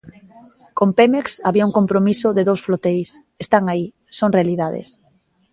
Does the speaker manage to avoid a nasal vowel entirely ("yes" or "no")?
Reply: yes